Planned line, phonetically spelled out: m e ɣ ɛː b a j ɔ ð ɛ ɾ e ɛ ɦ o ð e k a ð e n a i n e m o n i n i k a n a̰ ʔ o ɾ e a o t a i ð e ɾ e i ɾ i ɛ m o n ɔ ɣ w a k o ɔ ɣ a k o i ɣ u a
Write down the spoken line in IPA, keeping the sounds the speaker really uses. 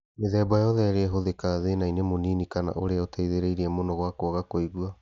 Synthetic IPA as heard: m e ð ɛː b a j ɔ ð ɛ ɾ e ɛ ɦ o ð e k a ð e n a i n e m o n i n i k a n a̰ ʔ o ɾ e a o t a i ð e ɾ e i ɾ i ɛ m o n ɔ ɣ w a k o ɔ ɣ a k o i ɣ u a